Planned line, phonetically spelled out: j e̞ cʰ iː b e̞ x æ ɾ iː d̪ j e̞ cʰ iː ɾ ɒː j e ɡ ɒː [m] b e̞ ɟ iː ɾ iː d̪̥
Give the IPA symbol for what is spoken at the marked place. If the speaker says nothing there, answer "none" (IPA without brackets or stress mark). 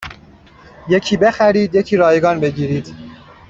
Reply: n